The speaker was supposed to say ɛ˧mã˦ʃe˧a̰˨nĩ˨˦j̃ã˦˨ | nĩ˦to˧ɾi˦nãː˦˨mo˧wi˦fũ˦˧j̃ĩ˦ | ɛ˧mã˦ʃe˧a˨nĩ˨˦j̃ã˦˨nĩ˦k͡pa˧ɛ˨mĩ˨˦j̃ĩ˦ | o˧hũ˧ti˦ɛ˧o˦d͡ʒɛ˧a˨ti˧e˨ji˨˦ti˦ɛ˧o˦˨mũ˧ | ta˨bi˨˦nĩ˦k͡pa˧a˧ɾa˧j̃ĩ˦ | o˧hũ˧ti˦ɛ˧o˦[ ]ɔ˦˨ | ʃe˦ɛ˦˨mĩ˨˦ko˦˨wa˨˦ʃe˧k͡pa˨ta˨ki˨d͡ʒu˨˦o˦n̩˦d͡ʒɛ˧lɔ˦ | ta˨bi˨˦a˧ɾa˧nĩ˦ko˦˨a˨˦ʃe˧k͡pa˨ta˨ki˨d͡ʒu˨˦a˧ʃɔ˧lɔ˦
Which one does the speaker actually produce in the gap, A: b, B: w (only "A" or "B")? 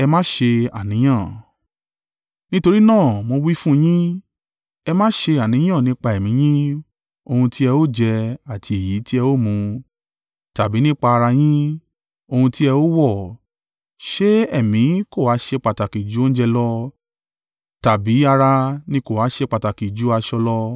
B